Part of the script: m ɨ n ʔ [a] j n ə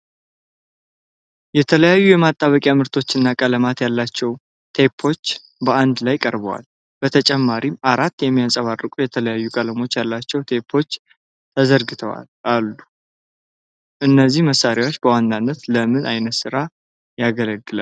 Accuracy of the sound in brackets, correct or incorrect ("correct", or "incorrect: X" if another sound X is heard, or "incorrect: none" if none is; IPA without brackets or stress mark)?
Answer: correct